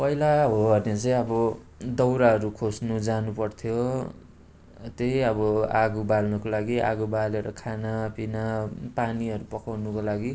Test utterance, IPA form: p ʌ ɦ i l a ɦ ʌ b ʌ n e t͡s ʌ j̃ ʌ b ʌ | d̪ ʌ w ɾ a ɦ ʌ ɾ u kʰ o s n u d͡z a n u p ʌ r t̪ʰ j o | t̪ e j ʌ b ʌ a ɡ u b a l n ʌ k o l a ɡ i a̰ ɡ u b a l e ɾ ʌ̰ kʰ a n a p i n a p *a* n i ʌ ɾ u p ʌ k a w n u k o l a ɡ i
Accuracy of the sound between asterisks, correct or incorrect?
correct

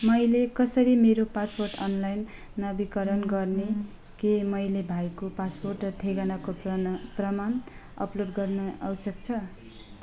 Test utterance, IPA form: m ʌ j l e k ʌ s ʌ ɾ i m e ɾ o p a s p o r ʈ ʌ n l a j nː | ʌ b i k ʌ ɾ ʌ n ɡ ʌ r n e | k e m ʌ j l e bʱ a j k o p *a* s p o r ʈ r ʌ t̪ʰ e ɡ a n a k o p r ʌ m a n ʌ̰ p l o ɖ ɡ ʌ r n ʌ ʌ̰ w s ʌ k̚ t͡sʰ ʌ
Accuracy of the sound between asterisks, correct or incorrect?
correct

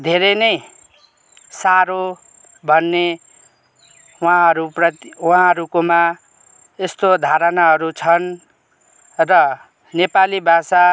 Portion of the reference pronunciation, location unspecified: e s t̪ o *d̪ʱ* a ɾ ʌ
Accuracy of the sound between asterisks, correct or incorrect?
correct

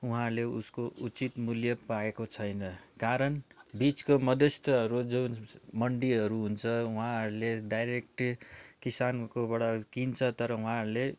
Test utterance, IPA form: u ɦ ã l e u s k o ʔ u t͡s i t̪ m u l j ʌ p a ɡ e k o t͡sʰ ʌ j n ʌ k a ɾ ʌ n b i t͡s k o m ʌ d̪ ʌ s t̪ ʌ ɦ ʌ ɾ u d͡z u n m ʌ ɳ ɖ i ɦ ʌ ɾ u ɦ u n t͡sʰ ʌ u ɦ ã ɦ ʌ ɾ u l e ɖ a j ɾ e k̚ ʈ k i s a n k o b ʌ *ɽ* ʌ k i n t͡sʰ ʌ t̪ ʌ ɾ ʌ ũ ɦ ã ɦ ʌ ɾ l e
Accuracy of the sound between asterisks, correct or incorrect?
correct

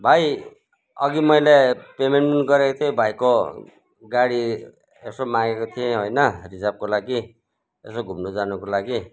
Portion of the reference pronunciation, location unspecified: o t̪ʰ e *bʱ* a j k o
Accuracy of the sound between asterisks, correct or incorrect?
correct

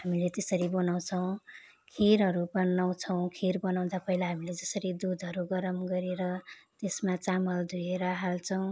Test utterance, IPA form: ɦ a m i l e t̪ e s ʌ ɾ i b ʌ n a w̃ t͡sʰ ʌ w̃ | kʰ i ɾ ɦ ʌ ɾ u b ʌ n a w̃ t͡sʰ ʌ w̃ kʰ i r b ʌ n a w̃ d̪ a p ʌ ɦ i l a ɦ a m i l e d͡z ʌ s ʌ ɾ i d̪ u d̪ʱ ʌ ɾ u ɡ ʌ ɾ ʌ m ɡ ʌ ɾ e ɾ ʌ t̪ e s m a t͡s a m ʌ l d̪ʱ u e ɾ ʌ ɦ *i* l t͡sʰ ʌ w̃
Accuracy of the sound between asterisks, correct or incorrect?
incorrect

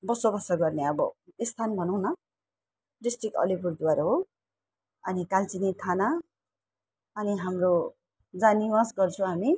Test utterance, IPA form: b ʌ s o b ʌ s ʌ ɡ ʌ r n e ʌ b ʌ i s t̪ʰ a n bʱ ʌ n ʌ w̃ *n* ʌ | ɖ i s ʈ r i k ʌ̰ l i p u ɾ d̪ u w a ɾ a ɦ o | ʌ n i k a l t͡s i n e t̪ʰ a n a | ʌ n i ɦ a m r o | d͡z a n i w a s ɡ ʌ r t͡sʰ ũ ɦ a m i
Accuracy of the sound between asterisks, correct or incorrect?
correct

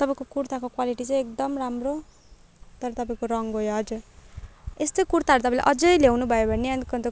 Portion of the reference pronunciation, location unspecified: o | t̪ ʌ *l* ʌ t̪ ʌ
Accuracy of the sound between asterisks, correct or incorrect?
incorrect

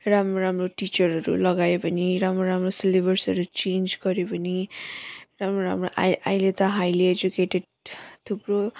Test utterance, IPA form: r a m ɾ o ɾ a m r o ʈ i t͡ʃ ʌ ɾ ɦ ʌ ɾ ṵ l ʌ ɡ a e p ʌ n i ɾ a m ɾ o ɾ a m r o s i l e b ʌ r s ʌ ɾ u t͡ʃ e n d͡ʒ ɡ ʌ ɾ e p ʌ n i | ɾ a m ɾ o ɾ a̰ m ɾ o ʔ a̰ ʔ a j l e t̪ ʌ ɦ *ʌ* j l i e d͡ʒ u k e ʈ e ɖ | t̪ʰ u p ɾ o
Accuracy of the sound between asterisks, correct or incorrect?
incorrect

